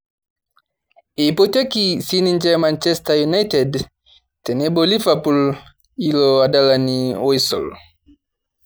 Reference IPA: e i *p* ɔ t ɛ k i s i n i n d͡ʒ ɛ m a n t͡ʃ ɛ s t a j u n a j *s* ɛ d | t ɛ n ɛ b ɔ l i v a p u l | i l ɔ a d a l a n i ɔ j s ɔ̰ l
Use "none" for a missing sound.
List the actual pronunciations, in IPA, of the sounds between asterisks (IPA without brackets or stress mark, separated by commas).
p, t